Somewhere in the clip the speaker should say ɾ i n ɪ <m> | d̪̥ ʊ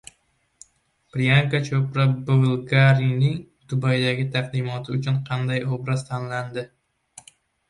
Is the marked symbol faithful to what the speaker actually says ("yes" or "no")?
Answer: no